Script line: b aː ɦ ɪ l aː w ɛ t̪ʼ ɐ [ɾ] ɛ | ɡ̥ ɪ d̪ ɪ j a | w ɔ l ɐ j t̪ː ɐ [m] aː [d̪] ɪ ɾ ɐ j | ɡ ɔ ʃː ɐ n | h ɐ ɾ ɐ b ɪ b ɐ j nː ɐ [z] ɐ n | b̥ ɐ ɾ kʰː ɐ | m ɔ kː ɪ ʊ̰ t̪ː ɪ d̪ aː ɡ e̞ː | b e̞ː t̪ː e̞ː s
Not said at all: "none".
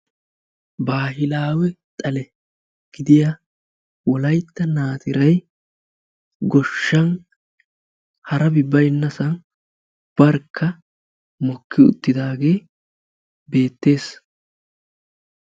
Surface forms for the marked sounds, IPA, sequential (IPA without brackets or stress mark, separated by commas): l, n, t̪, s